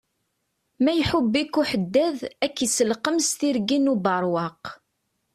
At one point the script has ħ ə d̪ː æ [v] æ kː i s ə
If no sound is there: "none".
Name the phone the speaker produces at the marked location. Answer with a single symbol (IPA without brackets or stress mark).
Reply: ð